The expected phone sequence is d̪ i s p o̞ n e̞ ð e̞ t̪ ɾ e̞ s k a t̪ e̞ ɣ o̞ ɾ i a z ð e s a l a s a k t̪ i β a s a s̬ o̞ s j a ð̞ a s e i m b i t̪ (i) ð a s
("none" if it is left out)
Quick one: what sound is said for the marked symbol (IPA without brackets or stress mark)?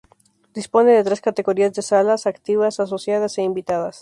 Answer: a